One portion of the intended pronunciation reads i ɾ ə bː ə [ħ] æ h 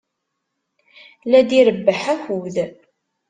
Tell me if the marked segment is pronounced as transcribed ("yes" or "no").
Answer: yes